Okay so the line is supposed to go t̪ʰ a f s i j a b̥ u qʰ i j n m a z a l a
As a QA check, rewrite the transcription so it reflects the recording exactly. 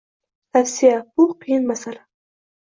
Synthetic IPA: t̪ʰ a f s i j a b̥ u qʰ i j n m a s a l a